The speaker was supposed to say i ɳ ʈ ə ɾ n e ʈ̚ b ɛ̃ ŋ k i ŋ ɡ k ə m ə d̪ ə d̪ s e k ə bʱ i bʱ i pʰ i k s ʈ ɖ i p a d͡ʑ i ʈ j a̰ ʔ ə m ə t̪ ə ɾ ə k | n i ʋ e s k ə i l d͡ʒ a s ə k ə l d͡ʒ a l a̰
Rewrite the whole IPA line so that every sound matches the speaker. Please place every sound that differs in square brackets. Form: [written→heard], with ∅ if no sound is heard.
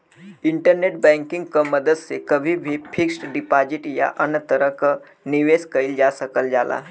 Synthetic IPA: i ɳ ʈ ə ɾ n e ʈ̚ b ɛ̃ ŋ k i ŋ ɡ k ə m ə d̪ ə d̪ s e k ə bʱ i bʱ i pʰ i k s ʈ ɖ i p a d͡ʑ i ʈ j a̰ ʔ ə [m→n] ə t̪ ə ɾ ə k | n i ʋ e s k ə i l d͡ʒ a s ə k ə l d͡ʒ a l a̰